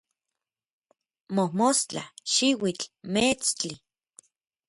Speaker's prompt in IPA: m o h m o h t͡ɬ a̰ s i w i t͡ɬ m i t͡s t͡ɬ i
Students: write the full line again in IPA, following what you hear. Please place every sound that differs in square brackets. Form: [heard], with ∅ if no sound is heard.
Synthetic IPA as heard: m o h m o [s] t͡ɬ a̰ [ʃ] i w i t͡ɬ m [e] t͡s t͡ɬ i